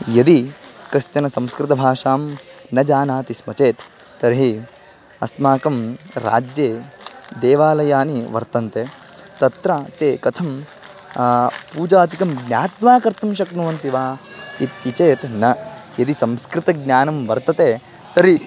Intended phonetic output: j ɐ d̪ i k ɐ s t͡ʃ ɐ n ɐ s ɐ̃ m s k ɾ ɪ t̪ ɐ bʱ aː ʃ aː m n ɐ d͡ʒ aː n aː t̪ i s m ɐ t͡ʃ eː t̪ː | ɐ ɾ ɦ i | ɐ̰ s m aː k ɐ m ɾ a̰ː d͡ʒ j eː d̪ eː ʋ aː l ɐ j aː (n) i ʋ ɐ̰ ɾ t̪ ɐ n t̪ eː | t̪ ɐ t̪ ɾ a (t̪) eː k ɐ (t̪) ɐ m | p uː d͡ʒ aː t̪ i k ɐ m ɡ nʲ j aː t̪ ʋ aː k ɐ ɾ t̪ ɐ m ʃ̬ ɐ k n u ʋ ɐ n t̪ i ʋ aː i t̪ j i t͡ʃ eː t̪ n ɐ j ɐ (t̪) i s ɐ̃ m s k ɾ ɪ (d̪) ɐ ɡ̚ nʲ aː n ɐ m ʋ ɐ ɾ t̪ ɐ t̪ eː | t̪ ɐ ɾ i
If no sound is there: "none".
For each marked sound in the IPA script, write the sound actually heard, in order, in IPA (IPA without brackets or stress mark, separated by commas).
n, t̪, t̪ʰ, d̪, t̪